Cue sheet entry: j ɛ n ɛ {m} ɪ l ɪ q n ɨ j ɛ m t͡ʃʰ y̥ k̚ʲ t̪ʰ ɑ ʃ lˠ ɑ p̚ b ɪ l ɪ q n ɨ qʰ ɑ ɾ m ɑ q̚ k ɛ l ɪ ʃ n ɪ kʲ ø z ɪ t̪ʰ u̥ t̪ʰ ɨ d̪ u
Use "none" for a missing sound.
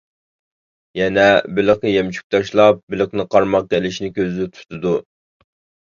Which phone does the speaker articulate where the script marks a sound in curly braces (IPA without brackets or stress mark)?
b